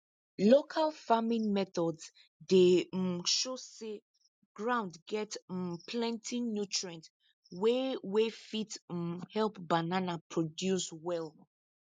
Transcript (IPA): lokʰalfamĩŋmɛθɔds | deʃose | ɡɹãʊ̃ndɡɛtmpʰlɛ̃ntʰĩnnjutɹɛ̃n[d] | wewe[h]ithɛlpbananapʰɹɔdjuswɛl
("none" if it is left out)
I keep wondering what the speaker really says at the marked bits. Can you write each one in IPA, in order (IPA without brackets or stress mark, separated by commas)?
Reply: t, f